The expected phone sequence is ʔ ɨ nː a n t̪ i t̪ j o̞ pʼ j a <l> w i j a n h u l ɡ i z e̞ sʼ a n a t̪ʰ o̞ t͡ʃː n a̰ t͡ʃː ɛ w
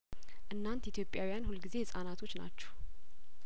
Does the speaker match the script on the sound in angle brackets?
no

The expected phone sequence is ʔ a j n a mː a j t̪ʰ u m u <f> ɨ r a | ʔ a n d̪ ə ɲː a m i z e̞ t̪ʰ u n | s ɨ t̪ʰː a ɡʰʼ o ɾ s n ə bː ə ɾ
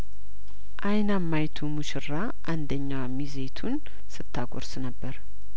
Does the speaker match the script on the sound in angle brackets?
no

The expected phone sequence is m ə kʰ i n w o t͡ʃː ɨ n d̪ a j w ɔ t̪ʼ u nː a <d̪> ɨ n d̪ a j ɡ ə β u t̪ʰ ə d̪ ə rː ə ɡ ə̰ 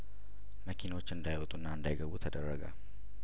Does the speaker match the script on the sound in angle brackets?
no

